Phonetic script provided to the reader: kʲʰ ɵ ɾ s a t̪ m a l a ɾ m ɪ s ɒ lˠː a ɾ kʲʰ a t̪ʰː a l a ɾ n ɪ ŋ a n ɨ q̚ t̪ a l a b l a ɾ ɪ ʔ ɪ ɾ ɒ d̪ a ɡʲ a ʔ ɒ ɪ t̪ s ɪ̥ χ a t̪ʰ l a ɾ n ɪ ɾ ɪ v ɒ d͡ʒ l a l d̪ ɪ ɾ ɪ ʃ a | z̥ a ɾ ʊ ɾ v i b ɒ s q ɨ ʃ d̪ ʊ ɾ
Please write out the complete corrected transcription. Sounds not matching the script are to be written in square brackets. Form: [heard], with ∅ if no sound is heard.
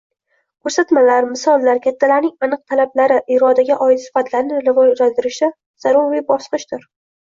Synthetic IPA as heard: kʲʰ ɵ ɾ s a t̪ m a l a ɾ m ɪ s ɒ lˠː a ɾ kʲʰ a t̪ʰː a l a ɾ n ɪ ŋ a n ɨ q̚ [t̪ʰ] a l a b l a ɾ ɪ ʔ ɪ ɾ ɒ d̪ a ɡʲ a ʔ ɒ ɪ t̪ s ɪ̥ [f] a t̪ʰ l a ɾ n ɪ ɾ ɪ v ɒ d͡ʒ l a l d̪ ɪ ɾ ɪ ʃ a | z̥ a ɾ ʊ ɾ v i b ɒ s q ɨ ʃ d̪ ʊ ɾ

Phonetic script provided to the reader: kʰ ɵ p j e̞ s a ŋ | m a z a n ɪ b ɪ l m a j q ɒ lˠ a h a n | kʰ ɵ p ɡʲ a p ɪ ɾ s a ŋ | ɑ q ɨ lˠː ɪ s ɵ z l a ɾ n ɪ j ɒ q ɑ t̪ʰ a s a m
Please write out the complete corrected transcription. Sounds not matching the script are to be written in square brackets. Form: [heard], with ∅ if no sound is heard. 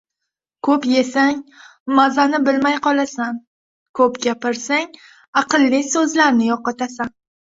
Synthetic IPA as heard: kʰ ɵ p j e̞ s a ŋ | m a z a n ɪ b ɪ l m a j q ɒ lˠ a [s] a n | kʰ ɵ p ɡʲ a p ɪ ɾ s a ŋ | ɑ q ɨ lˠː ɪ s ɵ z l a ɾ n ɪ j ɒ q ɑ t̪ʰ a s a [n]

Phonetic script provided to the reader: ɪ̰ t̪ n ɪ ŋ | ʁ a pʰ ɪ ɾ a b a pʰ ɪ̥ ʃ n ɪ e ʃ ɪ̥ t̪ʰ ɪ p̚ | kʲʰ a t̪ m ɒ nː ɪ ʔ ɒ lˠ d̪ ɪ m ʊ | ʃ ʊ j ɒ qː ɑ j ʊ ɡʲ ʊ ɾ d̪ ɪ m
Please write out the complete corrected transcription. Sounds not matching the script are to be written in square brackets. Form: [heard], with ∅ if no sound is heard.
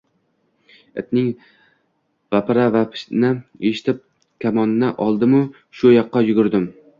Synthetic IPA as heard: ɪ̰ t̪ n ɪ ŋ | [v] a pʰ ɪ ɾ a [v] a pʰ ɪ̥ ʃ n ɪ e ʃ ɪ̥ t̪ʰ ɪ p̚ | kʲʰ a [∅] m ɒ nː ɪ ʔ ɒ lˠ d̪ ɪ m ʊ | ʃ ʊ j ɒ qː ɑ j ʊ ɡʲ ʊ ɾ d̪ ɪ m

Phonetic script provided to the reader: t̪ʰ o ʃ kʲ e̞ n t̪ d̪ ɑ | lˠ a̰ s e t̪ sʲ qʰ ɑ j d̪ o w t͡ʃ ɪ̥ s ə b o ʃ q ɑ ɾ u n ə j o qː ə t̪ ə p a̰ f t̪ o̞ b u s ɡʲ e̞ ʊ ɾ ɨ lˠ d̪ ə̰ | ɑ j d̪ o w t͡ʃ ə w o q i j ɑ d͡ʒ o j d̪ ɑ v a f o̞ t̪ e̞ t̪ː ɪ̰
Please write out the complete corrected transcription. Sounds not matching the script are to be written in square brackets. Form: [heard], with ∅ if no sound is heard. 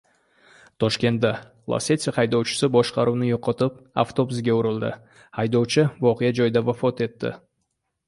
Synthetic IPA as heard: t̪ʰ o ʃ kʲ e̞ n t̪ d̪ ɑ | lˠ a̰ s e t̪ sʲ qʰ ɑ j d̪ o w t͡ʃ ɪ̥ s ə b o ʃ q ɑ ɾ u n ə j o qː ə t̪ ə p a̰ f t̪ o̞ b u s ɡʲ e̞ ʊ ɾ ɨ lˠ d̪ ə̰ | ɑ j d̪ o w t͡ʃ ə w o q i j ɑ d͡ʒ o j d̪ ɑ v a f o̞ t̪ e̞ t̪ː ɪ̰

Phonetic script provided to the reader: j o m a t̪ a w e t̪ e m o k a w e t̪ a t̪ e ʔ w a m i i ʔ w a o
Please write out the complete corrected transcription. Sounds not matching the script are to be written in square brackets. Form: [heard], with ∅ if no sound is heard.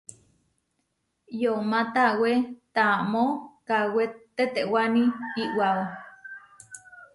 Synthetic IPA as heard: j o m a t̪ a w e t̪ [a] m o k a w e t̪ [e] t̪ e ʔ w a [n] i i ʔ w a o

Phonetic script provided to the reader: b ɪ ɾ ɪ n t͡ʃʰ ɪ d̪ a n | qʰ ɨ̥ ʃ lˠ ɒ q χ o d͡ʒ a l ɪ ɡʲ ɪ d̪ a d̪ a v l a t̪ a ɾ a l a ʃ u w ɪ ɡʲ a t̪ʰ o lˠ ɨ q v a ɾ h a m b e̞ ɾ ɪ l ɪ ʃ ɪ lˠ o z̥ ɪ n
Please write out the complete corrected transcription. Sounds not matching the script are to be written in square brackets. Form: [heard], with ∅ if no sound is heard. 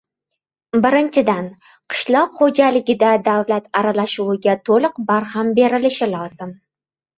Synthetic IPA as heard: b ɪ ɾ ɪ n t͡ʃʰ ɪ d̪ a n | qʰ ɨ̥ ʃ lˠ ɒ q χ o d͡ʒ a l ɪ ɡʲ ɪ d̪ a d̪ a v l a t̪ a ɾ a l a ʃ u w ɪ ɡʲ a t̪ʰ o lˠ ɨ q [b] a ɾ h a m b e̞ ɾ ɪ l ɪ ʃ ɪ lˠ [ɒ] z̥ ɪ [m]

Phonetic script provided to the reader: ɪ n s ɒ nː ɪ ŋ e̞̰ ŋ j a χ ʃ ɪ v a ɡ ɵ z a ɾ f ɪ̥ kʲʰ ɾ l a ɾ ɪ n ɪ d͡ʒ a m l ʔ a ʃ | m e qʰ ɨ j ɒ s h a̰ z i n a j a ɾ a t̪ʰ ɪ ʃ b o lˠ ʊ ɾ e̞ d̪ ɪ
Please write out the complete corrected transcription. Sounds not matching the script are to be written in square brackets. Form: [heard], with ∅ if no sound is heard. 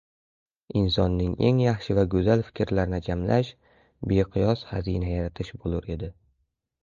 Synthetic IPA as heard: ɪ n s ɒ nː ɪ ŋ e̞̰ ŋ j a χ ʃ ɪ v a ɡ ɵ z a [l] f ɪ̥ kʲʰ ɾ l a ɾ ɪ n ɪ d͡ʒ a m l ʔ a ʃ | [b] e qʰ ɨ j ɒ s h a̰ z i n a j a ɾ a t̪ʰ ɪ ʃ b o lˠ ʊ ɾ e̞ d̪ ɪ

